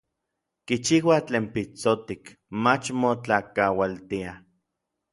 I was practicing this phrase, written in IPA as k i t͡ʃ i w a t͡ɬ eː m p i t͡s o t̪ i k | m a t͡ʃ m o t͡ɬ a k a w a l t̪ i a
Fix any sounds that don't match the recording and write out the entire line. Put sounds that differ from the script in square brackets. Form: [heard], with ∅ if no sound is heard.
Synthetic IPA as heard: k i t͡ʃ i w a t͡ɬ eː m p i t͡s o t̪ i k | m a t͡ʃ m o t͡ɬ a k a w a l t̪ i a